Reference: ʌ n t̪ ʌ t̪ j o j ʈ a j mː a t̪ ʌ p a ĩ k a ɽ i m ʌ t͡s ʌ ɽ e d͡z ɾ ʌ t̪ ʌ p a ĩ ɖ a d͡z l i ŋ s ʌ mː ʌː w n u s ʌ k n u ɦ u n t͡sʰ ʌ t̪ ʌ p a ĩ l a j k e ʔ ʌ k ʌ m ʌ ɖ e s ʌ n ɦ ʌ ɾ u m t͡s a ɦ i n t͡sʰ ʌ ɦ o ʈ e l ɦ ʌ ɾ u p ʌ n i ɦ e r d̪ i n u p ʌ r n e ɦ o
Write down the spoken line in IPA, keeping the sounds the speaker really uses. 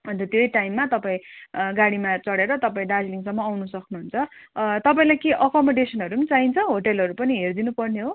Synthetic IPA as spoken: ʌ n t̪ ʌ t̪ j o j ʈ a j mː a t̪ ʌ p a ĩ ɡ a ɽ i m a t͡s ʌ ɽ e ɾ ʌ t̪ ʌ p a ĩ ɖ a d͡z l i ŋ s ʌ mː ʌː w n u s ʌ k n u ɦ u n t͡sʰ ʌ t̪ ʌ p a ĩ l a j k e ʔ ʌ k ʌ m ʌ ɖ e s ʌ n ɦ ʌ ɾ u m t͡s a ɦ i n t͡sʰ ʌ ɦ o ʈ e l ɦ ʌ ɾ u p ʌ n i ɦ e r d̪ i n u p ʌ r n e ɦ o